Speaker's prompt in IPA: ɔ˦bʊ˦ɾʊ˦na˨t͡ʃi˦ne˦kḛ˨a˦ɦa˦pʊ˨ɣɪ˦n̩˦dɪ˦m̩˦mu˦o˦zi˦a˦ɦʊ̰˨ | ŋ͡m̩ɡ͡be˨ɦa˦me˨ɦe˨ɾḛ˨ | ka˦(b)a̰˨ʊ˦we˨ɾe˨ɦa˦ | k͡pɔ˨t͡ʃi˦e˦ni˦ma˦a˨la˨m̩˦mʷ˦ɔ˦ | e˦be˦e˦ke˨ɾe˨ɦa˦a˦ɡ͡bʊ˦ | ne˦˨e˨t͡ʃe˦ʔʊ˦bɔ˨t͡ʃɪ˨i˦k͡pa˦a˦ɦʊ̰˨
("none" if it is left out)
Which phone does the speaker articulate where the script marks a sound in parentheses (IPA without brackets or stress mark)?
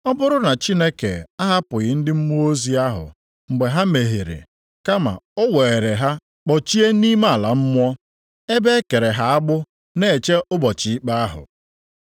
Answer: m